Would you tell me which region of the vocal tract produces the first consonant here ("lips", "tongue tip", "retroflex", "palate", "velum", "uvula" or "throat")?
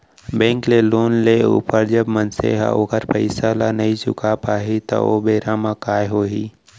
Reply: lips